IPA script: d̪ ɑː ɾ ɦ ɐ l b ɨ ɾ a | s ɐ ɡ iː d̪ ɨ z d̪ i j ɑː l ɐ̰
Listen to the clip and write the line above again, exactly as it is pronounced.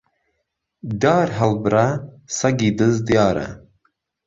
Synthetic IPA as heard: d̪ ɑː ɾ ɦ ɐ l b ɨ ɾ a | s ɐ ɡ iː d̪ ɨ z d̪ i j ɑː ɾ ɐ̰